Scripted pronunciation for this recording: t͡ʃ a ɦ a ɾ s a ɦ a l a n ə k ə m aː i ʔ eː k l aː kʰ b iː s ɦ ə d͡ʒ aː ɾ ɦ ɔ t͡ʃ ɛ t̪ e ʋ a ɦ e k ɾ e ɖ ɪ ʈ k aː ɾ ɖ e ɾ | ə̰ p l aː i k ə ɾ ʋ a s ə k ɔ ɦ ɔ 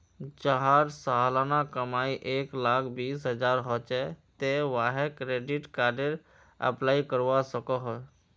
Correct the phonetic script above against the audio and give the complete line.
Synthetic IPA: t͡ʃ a ɦ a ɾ s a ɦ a l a n a k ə m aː i ʔ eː k l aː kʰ b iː s ɦ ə d͡ʒ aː ɾ ɦ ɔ t͡ʃ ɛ t̪ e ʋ a ɦ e k ɾ e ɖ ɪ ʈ k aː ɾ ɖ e ɾ | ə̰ p l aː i k ə ɾ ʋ a s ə k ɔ ɦ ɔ